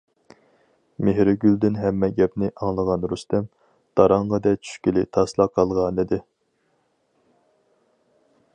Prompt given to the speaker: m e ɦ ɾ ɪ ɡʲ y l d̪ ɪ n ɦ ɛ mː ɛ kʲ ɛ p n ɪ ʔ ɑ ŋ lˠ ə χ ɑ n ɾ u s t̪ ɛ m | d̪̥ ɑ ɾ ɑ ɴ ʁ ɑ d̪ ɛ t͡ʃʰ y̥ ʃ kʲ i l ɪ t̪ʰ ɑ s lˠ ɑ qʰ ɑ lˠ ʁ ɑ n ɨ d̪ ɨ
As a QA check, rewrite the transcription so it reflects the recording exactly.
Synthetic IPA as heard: m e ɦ ɾ ɪ ɡʲ y l d̪ ɪ n ɦ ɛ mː ɛ ɡʲ ɛ p n ɪ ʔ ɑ ŋ lˠ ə ʁ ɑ n ɾ u s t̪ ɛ m | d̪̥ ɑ ɾ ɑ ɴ ʁ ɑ d̪ ɛ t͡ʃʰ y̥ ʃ kʲ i l ɪ t̪ʰ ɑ s lˠ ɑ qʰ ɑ lˠ ʁ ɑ n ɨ d̪ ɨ

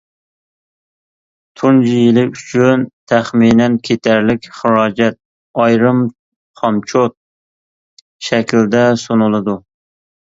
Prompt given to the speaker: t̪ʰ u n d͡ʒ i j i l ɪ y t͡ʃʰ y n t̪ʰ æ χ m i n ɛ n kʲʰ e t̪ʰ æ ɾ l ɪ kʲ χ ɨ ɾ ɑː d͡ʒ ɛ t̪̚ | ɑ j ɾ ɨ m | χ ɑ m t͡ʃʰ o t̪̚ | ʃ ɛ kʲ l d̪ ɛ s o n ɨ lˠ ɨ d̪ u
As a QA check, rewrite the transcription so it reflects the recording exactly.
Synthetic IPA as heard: t̪ʰ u n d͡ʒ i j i l ɪ y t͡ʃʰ y n t̪ʰ æ χ m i n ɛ n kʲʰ e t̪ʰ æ ɾ l ɪ kʲ χ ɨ ɾ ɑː d͡ʒ ɛ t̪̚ | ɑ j ɾ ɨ m | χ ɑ m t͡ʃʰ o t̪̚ | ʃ ɛ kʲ l d̪ ɛ s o n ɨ lˠ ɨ d̪ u

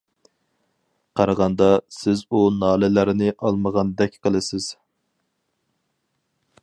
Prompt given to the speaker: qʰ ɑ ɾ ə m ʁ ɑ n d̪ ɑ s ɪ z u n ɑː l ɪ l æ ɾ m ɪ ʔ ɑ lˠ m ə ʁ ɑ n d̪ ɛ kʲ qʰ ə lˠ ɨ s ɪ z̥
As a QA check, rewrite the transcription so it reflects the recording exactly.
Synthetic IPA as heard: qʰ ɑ ɾ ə ʁ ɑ n d̪ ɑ s ɪ z u n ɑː l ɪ l æ ɾ n ɪ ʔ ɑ lˠ m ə ʁ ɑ n d̪ ɛ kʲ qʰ ə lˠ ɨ s ɪ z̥

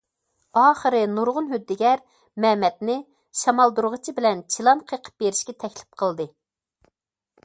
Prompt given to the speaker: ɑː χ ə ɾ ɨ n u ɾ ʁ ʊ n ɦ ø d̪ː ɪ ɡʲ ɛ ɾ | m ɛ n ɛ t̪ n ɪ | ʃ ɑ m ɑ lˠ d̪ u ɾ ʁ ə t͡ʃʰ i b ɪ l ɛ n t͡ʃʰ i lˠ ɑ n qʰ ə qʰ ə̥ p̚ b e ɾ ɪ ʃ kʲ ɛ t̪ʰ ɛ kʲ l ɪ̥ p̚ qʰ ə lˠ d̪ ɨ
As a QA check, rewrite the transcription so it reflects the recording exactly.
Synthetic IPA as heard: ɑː χ ə ɾ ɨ n u ɾ ʁ ʊ n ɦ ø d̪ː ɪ ɡʲ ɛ ɾ | m ɛ m ɛ t̪ n ɪ | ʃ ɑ m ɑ lˠ d̪ u ɾ ʁ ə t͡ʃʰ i b ɪ l ɛ n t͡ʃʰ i lˠ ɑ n qʰ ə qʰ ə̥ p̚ b e ɾ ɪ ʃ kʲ ɛ t̪ʰ ɛ kʲ l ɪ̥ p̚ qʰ ə lˠ d̪ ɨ

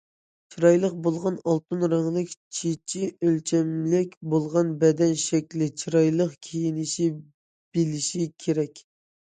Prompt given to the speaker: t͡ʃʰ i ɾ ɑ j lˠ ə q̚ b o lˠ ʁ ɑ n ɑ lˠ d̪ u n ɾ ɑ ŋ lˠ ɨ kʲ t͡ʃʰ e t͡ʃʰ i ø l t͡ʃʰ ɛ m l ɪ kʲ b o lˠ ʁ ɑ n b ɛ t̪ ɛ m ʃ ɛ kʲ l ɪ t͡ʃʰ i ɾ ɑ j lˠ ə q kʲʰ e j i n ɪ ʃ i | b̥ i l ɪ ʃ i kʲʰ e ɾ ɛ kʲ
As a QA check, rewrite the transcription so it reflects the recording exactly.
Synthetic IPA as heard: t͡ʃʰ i ɾ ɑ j lˠ ə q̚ b o lˠ ʁ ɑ n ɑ lˠ t̪ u n ɾ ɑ ŋ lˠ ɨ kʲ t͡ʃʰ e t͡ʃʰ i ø l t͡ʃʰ ɛ m l ɪ kʲ b o lˠ ʁ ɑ n b ɛ d̪ ɛ n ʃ ɛ kʲ l ɪ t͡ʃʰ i ɾ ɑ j lˠ ə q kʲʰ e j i n ɪ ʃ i | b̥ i l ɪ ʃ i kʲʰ e ɾ ɛ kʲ

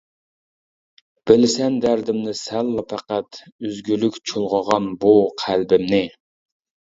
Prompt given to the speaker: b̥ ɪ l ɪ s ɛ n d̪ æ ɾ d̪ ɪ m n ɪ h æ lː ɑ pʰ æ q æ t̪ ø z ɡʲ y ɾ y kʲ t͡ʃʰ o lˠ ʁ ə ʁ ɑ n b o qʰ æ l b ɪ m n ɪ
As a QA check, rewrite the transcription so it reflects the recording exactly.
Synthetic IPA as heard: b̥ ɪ l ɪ s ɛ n d̪ æ ɾ d̪ ɪ m n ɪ s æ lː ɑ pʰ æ q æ t̪ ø z ɡʲ y l y kʲ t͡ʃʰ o lˠ ʁ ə ʁ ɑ n b u qʰ æ l b ɪ m n ɪ

